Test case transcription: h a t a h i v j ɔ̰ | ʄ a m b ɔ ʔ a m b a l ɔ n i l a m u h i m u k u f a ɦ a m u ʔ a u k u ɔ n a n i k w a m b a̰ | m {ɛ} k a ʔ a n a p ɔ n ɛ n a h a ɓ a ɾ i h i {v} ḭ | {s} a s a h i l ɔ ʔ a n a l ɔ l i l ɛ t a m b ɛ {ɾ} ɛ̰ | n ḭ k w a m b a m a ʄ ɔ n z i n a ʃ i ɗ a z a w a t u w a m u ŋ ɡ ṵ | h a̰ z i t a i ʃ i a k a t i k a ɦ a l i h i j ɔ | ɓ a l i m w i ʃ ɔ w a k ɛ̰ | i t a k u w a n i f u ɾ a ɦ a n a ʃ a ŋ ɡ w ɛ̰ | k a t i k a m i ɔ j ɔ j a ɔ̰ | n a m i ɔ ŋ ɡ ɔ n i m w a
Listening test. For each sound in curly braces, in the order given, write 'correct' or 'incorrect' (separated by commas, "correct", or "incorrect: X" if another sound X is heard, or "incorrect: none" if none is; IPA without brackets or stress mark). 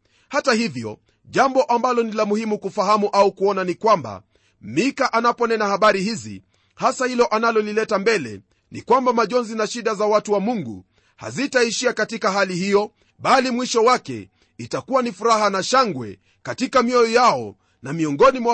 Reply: incorrect: i, incorrect: z, incorrect: h, incorrect: l